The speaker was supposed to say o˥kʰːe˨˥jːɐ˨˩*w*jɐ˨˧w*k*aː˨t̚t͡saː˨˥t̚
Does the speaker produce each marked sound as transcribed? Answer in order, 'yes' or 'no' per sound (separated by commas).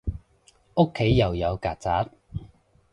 yes, yes